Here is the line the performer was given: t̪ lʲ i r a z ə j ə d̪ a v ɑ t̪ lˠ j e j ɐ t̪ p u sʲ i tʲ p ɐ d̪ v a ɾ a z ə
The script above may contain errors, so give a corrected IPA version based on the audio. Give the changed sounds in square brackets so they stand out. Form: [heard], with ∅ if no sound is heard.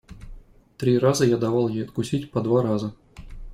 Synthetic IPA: t̪ [ɾʲ] i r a z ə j [a] d̪ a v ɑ [∅] lˠ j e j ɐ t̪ [k] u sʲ i tʲ p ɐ d̪ v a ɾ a z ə